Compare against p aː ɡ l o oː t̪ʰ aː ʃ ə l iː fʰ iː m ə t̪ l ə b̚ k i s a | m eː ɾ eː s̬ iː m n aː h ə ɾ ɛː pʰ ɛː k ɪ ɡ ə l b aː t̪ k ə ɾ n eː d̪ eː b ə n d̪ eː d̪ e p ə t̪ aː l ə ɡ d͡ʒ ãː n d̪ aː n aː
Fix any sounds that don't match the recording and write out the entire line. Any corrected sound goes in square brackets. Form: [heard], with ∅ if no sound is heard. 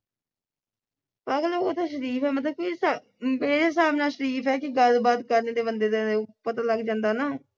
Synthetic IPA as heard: p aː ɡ l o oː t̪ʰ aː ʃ ə [ɾ] iː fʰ [ɛː] m ə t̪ l ə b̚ k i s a | m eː ɾ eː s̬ [aː] m n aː [ʃ] ə ɾ [iː] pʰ ɛː k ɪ ɡ ə l b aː t̪ k ə ɾ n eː d̪ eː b ə n d̪ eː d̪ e p ə t̪ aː l ə ɡ d͡ʒ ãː n d̪ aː n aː